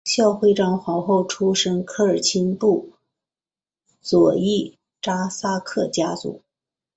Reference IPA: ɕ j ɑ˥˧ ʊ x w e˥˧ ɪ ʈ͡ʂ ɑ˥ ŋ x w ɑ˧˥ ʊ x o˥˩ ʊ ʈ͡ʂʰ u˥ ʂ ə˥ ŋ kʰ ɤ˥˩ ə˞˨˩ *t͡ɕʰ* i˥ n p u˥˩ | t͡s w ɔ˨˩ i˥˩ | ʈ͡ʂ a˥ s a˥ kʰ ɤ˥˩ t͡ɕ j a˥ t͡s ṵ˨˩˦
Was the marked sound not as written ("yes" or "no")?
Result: no